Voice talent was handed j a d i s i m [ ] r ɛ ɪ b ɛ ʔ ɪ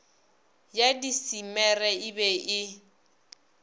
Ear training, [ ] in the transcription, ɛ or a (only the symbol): ɛ